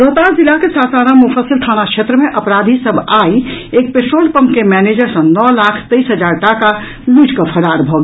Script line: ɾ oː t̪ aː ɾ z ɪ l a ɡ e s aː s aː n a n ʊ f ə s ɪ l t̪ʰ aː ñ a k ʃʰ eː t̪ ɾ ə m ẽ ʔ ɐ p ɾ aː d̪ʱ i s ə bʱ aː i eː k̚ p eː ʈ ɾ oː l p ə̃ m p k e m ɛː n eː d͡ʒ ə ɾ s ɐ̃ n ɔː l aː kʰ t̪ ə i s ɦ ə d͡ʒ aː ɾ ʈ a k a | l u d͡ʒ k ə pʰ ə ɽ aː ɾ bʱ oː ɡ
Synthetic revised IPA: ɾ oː t̪ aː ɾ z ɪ l a k e s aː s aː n a m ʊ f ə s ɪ l t̪ʰ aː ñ a k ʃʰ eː t̪ ɾ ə m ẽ ʔ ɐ p ɾ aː d̪ʱ i s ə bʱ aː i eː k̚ p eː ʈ ɾ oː l p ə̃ m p k e m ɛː n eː d͡ʒ ə ɾ s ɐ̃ n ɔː l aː kʰ t̪ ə i s ɦ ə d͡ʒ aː ɾ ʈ a k a | l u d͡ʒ k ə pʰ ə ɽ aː ɾ bʱ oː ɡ